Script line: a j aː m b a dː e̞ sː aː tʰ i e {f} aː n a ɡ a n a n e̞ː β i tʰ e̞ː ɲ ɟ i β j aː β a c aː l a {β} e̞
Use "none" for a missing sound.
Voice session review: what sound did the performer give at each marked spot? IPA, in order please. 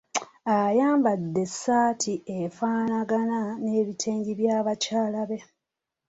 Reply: f, β

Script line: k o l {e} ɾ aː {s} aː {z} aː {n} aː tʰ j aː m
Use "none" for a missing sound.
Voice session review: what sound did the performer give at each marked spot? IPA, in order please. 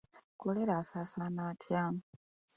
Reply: e, s, s, n

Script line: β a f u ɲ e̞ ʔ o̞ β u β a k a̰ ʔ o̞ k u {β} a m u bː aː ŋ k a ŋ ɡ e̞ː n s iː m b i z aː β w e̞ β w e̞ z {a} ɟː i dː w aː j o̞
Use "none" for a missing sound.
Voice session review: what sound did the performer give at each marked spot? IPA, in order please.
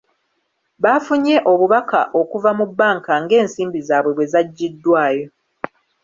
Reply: v, a

